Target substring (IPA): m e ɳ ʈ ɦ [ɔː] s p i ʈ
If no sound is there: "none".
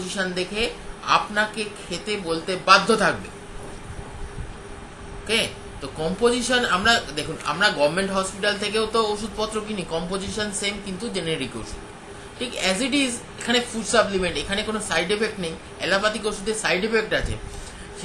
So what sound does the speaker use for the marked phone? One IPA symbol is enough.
ɔ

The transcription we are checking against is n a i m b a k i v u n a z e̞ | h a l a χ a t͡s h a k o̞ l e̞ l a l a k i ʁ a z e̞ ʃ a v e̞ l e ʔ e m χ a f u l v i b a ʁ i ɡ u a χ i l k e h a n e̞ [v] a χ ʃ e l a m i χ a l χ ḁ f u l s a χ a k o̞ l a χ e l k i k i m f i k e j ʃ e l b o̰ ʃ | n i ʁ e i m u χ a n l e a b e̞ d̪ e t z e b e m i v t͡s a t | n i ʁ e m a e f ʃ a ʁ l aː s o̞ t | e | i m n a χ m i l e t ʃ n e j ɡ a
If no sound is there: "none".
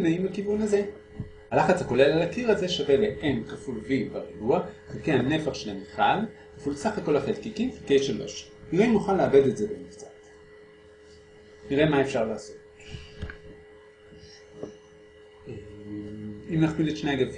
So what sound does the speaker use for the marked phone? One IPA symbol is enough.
f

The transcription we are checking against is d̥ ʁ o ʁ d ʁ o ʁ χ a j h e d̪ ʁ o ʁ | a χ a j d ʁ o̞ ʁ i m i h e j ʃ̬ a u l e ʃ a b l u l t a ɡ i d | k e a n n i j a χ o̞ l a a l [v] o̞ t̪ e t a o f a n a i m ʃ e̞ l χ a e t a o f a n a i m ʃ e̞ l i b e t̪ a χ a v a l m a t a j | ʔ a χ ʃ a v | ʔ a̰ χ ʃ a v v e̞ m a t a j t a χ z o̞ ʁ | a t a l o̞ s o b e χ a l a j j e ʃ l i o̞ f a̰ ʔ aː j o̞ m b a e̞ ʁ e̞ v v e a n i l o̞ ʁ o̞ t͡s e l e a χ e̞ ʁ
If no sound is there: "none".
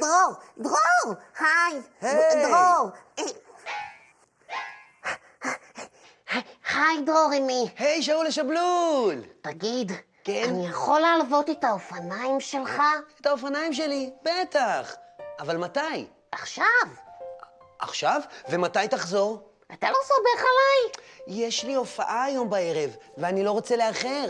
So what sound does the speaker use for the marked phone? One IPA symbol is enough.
v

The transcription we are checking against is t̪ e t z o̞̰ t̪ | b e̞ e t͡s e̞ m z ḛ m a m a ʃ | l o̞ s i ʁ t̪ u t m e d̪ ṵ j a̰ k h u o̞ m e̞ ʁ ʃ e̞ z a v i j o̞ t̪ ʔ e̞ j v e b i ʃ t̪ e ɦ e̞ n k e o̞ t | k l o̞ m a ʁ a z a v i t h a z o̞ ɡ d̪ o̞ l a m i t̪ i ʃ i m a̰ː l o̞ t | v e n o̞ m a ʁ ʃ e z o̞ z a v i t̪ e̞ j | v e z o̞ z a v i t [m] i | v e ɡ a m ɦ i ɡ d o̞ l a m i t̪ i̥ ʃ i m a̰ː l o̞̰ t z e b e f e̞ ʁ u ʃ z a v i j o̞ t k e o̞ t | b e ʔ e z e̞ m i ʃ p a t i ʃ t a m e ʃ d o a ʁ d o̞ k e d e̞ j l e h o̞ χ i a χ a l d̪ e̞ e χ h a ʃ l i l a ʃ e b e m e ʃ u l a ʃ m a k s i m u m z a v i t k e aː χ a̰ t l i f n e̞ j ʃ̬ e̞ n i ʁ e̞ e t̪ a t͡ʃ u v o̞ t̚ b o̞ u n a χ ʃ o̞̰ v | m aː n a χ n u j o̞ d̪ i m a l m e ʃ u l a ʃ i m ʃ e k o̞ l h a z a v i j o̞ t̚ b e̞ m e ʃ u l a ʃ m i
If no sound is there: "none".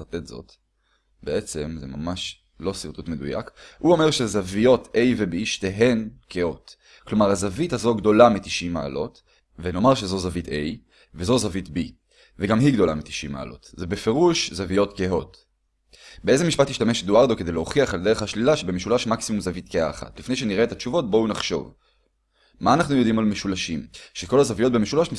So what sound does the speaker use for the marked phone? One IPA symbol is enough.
b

